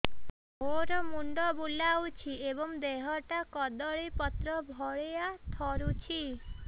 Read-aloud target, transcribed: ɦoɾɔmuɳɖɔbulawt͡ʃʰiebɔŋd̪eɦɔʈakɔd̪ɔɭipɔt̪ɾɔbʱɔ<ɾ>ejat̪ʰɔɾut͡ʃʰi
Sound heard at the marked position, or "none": ɭ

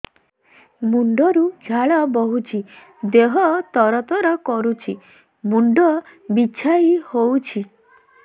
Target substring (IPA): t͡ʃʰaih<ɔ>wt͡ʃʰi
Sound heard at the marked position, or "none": o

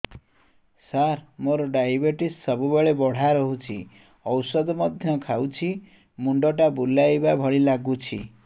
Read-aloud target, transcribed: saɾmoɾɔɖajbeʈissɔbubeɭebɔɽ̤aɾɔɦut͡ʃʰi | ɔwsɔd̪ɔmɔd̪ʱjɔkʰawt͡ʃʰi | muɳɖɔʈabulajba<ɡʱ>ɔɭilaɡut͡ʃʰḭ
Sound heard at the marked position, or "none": bʱ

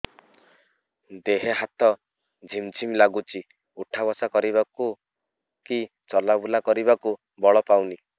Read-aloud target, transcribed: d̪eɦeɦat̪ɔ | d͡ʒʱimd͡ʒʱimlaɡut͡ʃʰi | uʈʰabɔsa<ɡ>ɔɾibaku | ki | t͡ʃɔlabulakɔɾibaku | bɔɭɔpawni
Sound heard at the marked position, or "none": k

